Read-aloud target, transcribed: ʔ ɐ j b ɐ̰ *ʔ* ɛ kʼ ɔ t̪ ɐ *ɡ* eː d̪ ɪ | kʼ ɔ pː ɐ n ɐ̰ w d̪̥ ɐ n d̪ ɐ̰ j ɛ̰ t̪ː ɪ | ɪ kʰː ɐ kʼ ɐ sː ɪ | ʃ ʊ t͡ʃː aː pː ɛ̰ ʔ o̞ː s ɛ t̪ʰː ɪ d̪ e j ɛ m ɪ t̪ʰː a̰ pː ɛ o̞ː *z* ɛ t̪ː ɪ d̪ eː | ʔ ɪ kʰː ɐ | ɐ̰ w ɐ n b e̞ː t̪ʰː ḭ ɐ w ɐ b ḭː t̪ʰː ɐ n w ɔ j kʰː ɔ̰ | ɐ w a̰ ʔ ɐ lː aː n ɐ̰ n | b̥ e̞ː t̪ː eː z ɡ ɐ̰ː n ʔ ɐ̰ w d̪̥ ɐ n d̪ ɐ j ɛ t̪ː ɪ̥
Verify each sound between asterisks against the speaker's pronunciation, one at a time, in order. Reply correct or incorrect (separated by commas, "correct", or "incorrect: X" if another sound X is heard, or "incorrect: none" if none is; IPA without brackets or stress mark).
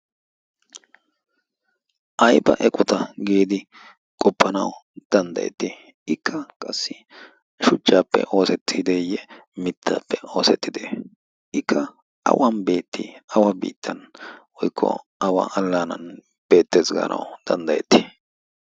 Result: correct, correct, incorrect: s